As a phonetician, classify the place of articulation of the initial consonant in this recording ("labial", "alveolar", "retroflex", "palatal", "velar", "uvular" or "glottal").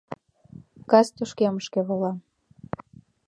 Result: velar